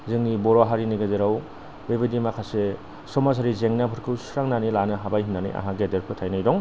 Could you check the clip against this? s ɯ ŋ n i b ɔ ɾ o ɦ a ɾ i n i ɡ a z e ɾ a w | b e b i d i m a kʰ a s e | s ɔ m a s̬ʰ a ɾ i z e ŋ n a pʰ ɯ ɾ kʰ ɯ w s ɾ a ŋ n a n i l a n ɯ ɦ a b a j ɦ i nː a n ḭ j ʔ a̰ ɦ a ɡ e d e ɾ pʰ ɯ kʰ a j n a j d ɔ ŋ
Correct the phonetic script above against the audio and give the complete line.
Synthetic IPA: z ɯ ŋ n i b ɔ ɾ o ɦ a ɾ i n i ɡ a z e ɾ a w | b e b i d i m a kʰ a s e | s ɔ m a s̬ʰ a ɾ i z e ŋ n a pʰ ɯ ɾ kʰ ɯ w s ɾ a ŋ n a n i l a n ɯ ɦ a b a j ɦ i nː a n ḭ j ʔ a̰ ɦ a ɡ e d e ɾ pʰ ɯ tʰ a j n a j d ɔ ŋ